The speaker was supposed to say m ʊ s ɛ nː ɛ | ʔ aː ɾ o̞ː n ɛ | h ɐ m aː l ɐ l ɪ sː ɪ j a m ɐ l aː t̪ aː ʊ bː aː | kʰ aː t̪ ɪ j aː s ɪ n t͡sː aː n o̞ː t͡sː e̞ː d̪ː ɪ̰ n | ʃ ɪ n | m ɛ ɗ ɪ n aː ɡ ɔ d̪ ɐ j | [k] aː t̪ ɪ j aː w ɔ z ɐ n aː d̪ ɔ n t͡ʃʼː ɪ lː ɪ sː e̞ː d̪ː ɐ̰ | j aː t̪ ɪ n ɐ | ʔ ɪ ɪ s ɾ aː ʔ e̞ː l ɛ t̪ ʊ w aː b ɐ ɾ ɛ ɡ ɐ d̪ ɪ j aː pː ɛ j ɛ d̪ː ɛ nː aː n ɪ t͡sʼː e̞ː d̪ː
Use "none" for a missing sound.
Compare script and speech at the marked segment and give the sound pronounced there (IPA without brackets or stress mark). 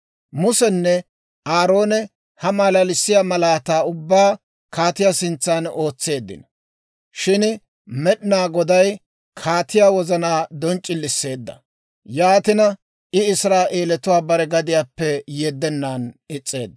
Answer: kʰ